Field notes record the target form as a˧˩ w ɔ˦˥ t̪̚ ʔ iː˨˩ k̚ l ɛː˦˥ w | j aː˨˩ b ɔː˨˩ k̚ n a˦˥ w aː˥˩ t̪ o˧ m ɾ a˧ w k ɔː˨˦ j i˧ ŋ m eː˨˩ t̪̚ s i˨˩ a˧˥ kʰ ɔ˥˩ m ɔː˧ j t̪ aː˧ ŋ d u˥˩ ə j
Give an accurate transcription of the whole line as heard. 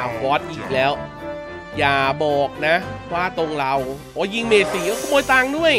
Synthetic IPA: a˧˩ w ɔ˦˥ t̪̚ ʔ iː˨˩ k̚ l ɛː˦˥ w | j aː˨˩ b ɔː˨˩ k̚ n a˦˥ w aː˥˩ t̪ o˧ ŋ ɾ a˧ w ʔ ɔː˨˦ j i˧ ŋ m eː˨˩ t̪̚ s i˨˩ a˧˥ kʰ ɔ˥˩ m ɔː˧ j t̪ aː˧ ŋ d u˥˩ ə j